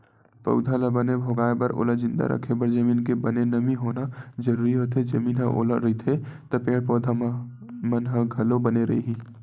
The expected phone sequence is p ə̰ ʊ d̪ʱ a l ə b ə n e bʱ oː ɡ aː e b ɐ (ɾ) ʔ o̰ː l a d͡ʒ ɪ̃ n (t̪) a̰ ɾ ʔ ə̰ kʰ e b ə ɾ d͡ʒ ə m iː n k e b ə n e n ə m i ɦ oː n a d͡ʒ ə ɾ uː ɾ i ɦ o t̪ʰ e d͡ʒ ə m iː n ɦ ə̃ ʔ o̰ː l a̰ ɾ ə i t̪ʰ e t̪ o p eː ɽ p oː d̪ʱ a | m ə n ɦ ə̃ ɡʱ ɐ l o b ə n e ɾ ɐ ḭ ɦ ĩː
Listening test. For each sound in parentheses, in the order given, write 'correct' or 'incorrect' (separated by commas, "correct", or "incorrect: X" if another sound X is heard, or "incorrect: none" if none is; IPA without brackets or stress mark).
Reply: correct, incorrect: d̪